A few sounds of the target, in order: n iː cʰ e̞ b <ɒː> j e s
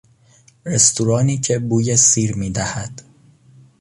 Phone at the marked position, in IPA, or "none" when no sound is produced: uː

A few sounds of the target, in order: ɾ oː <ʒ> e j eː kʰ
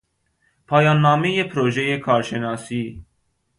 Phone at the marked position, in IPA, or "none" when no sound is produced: ʒ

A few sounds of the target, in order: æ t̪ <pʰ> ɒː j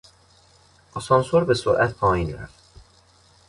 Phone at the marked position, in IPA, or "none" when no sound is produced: pʰ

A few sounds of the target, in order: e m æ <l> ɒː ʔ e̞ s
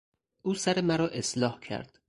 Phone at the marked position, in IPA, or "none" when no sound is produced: ɾ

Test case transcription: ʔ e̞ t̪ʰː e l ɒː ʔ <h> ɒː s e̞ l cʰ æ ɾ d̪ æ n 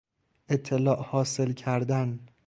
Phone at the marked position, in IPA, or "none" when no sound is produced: h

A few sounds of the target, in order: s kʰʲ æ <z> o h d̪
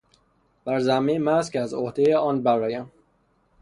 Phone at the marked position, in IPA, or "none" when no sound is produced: z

